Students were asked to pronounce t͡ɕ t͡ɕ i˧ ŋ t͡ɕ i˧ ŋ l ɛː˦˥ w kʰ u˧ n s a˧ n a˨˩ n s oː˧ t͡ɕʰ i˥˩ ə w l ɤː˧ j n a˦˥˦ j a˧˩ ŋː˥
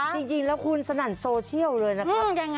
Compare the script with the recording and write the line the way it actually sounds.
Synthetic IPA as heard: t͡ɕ t͡ɕ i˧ ŋ t͡ɕ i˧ ŋ l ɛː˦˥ w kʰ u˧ n s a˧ n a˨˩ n s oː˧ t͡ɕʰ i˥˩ ə w l ɤː˧ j n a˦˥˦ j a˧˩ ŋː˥